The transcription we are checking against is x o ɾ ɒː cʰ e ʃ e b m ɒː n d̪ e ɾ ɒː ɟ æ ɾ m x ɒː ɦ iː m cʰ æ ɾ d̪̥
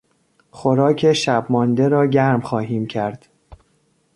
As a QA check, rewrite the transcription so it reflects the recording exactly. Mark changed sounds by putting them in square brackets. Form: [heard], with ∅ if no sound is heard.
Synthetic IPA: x o ɾ ɒː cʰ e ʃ [æ] b m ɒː n d̪ e ɾ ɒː ɟ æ ɾ m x ɒː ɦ iː m cʰ æ ɾ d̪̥